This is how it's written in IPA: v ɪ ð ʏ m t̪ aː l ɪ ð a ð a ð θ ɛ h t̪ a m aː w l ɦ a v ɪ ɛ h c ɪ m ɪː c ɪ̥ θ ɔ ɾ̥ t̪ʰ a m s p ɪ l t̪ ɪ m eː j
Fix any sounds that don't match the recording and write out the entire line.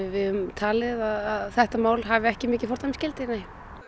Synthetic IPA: v ɪ ð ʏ m t̪ʰ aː l ɪ ð a ð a ð θ ɛ h t̪ a m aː w l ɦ a v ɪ ɛ h c ɪ m ɪː c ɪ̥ f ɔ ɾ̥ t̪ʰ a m s c ɪ l t̪ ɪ n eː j